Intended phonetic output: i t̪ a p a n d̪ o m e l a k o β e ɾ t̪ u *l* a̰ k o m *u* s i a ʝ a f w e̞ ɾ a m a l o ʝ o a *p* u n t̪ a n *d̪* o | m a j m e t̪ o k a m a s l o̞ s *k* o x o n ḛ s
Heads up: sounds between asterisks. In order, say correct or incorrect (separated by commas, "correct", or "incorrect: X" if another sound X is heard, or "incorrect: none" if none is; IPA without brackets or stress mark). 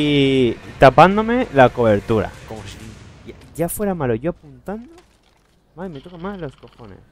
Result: incorrect: ɾ, incorrect: o, correct, correct, correct